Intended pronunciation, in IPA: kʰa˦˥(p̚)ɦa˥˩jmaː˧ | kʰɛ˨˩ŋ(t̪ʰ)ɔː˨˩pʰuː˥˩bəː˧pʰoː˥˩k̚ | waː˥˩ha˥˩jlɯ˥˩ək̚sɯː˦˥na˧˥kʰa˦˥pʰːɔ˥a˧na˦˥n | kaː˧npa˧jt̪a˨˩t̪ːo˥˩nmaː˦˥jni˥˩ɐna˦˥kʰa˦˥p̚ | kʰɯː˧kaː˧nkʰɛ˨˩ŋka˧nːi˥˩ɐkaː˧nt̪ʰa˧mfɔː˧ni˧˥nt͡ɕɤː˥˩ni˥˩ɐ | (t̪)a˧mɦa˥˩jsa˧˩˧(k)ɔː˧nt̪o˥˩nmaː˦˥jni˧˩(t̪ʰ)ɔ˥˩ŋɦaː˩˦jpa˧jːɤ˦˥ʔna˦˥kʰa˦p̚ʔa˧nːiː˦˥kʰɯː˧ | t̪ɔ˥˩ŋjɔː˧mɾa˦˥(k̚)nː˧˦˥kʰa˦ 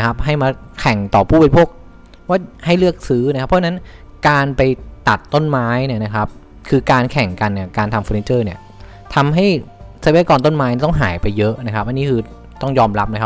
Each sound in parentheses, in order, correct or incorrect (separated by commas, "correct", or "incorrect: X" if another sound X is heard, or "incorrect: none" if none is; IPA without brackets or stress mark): correct, incorrect: t̪, incorrect: t̪ʰ, correct, incorrect: t̪, incorrect: p̚